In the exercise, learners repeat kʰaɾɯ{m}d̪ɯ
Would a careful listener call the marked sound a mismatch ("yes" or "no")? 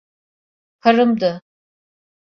no